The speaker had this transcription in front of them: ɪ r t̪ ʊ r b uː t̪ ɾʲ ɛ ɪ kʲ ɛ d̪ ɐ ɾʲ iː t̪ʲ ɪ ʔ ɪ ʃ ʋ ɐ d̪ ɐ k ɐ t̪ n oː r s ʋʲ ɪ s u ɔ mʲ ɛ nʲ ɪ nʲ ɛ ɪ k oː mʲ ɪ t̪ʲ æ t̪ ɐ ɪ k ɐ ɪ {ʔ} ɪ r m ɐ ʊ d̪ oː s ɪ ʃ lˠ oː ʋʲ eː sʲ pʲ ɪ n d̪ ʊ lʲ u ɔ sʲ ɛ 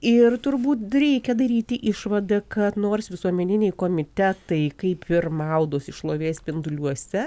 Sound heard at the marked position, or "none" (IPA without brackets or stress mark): p